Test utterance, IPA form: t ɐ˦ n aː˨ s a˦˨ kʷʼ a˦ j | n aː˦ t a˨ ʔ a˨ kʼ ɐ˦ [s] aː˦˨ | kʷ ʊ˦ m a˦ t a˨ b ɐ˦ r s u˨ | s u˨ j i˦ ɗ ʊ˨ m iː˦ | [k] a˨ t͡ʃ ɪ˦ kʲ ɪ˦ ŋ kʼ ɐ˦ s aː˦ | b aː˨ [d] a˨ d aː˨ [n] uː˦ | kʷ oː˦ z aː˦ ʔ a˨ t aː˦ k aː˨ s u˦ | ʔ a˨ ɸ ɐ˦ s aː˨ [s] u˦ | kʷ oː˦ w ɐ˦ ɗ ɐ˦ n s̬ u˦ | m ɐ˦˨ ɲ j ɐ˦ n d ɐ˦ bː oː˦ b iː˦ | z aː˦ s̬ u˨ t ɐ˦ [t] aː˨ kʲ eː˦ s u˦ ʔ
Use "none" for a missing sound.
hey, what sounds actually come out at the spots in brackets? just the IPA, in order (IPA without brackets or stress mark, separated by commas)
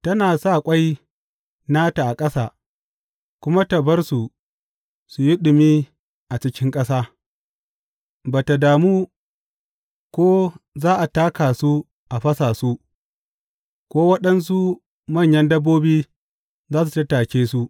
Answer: s, ʔ, t, m, s, t